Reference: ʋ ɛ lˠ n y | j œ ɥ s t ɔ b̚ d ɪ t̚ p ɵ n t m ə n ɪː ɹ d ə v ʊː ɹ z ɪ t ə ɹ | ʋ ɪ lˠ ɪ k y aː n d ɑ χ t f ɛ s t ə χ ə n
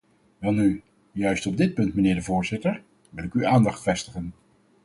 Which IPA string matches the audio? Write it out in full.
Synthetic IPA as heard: ʋ ɛ lˠ n y | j œ ɥ s t ɔ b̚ d ɪ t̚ p ɵ n t m ə n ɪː ɹ d ə v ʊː ɹ z ɪ t ə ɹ | ʋ ɪ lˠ ɪ k y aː n d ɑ χ t f ɛ s t ə χ ə n